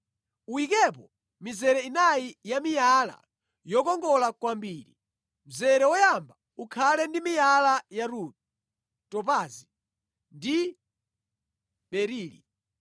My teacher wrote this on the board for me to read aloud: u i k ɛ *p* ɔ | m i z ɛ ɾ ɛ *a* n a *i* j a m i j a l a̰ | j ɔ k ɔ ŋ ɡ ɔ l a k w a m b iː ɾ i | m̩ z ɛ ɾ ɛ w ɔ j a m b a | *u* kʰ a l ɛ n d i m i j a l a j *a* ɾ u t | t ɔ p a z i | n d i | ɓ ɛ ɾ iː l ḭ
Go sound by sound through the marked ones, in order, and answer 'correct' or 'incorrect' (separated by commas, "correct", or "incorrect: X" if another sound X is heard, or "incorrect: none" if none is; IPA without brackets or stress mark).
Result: correct, incorrect: i, correct, correct, correct